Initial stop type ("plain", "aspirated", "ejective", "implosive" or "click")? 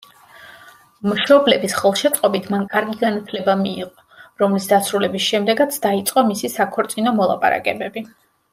plain